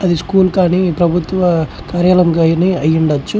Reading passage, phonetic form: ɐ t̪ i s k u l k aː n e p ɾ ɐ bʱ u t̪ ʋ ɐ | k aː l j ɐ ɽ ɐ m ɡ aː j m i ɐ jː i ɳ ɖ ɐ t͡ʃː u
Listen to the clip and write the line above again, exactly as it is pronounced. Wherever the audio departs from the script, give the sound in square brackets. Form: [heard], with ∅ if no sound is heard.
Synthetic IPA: ɐ [d̪] i s k [uː] l k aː n [i] p ɾ ɐ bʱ u t̪ ʋ ɐ | k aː [ɾ] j ɐ [l] ɐ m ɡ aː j [n] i ɐ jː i ɳ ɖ ɐ t͡ʃː u